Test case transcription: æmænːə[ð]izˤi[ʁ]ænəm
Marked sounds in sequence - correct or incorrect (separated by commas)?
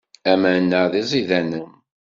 correct, incorrect